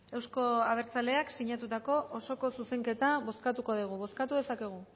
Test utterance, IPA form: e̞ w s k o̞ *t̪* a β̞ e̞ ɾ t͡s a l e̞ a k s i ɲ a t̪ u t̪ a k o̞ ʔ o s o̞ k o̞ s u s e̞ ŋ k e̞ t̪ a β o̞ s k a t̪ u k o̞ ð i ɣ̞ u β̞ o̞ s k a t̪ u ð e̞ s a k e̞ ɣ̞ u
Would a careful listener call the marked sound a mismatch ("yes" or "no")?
yes